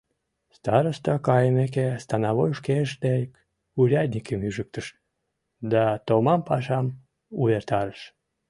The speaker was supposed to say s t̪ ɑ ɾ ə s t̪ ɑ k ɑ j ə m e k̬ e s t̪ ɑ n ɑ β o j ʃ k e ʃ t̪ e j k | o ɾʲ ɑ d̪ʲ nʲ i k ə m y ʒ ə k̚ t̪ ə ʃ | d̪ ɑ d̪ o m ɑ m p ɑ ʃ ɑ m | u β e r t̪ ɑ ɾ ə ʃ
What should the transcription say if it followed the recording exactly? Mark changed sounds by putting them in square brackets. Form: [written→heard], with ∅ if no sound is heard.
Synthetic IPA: s t̪ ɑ ɾ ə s t̪ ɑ k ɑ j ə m e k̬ e s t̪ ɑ n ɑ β o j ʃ k e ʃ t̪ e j k | [o→u] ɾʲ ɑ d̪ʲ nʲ i k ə m y ʒ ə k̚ t̪ ə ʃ | d̪ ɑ [d̪→t̪] o m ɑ m p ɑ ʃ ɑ m | u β e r t̪ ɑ ɾ ə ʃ